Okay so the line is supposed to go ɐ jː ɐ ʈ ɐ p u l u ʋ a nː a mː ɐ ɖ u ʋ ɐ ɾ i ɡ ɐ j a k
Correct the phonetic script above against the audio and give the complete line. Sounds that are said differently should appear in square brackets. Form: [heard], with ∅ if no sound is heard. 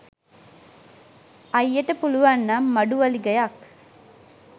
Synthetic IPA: ɐ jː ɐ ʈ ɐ p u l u ʋ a nː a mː ɐ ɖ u ʋ ɐ [l] i ɡ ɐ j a k